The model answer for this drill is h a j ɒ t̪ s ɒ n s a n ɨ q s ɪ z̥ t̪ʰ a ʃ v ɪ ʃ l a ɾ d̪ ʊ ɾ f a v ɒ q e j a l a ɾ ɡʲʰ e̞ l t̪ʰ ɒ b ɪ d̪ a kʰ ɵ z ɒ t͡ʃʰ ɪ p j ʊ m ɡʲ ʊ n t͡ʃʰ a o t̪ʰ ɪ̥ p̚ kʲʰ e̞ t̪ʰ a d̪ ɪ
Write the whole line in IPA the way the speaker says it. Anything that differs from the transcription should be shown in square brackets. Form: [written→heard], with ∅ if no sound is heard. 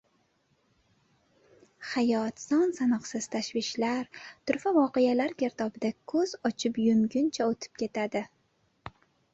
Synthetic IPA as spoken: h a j ɒ t̪ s ɒ n s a n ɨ q s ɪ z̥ t̪ʰ a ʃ v ɪ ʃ l a ɾ [d̪→t̪] ʊ ɾ f a v ɒ q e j a l a ɾ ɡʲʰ e̞ [l→ɾ] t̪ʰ ɒ b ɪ d̪ a kʰ ɵ z ɒ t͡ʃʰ ɪ p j ʊ m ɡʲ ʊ n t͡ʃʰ a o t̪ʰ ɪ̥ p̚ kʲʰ e̞ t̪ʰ a d̪ ɪ